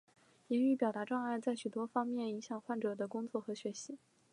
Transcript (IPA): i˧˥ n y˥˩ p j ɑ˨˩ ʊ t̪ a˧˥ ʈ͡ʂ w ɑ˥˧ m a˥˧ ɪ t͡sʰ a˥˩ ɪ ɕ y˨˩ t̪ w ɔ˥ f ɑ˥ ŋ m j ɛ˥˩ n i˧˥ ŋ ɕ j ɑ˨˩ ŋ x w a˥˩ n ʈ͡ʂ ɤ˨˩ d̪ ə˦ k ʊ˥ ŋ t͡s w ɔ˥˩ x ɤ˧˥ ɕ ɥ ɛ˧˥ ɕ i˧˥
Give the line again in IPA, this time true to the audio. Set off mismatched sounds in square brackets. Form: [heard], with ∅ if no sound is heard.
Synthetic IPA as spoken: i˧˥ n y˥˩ p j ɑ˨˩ ʊ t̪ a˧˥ ʈ͡ʂ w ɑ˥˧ [ŋ] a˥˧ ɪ [t͡s] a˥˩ ɪ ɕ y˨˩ t̪ w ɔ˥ f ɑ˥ ŋ m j ɛ˥˩ n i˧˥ ŋ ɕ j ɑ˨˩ ŋ x w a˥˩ n ʈ͡ʂ ɤ˨˩ d̪ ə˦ k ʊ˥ ŋ t͡s w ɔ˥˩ x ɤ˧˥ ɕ ɥ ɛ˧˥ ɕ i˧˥